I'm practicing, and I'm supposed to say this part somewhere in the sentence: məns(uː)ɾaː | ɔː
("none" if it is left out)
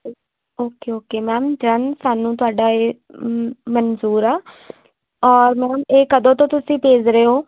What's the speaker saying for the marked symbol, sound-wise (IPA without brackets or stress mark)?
uː